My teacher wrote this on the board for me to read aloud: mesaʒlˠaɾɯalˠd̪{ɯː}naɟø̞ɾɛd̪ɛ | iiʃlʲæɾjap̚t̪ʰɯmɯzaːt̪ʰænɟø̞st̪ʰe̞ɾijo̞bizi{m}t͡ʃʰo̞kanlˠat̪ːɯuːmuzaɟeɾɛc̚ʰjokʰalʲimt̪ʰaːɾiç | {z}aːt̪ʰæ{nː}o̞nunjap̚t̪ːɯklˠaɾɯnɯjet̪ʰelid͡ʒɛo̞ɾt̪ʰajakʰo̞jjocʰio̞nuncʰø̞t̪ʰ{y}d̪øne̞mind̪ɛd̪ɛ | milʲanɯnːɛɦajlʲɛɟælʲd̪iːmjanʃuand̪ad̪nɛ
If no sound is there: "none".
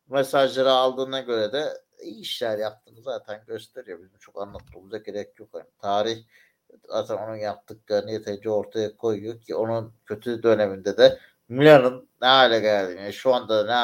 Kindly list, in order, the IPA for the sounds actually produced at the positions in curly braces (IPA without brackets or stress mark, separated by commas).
ɯː, m, z, n, y